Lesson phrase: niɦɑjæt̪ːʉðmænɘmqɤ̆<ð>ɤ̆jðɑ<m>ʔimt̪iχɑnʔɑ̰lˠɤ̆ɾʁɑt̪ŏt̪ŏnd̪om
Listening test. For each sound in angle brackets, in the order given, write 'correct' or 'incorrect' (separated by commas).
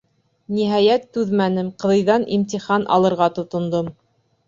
correct, incorrect